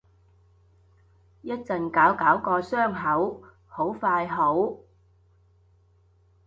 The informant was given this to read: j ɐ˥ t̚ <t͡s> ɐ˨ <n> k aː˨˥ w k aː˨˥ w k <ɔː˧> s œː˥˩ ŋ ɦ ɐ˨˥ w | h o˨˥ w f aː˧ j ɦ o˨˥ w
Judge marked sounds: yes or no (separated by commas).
yes, yes, yes